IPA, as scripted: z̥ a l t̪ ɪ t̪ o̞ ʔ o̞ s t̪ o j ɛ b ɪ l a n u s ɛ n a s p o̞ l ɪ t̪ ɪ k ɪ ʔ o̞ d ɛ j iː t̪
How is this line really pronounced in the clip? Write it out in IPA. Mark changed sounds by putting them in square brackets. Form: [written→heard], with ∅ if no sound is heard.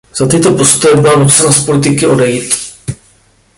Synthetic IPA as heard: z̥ a [l→∅] t̪ ɪ t̪ o̞ [ʔ→p] o̞ s t̪ o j ɛ b ɪ l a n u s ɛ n a s p o̞ l ɪ t̪ ɪ k ɪ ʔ o̞ d ɛ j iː t̪